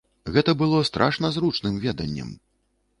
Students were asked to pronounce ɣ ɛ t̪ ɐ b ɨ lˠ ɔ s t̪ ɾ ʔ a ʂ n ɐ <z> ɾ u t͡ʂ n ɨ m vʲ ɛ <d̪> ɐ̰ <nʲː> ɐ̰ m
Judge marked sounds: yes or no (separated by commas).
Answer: yes, yes, yes